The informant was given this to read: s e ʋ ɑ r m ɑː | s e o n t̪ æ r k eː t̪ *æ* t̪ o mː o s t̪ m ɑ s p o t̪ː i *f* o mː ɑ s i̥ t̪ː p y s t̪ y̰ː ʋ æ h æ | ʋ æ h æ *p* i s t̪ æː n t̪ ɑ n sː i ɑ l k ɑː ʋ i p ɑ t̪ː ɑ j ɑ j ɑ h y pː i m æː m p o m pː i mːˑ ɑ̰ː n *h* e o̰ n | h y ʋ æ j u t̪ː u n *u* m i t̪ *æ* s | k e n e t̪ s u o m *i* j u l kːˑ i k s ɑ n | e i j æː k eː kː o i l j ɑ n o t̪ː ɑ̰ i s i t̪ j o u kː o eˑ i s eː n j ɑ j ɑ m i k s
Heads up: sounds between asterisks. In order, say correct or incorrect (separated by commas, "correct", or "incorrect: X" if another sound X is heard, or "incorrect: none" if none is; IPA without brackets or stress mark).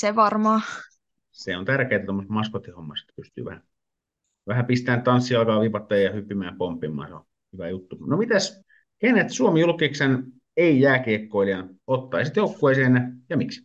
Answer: correct, incorrect: h, correct, incorrect: s, incorrect: o, correct, correct